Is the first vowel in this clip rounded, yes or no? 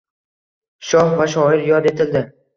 yes